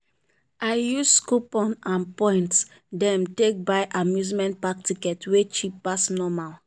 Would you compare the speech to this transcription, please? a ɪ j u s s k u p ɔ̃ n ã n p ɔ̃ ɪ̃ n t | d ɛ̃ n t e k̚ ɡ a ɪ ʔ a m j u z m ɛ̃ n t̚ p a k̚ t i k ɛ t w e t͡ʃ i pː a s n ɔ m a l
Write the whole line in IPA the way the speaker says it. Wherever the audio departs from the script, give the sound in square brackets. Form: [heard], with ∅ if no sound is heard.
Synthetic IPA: a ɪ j u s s k u p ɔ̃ n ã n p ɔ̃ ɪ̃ n t | d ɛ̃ [m] t e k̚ [b] a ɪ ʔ a m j u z m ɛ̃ n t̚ p a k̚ t i k ɛ t w e t͡ʃ i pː a s n ɔ m a l